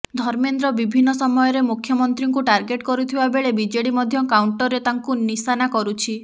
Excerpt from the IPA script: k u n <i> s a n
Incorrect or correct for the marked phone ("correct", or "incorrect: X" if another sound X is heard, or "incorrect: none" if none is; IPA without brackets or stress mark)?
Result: correct